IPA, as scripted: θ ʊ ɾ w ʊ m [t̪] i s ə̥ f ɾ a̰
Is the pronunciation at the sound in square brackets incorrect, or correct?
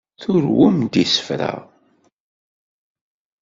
incorrect